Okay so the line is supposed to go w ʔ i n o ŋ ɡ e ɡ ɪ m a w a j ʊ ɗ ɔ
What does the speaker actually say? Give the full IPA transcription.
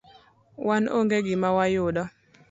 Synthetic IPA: w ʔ a n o ŋ ɡ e ɡ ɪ m a w a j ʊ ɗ ɔ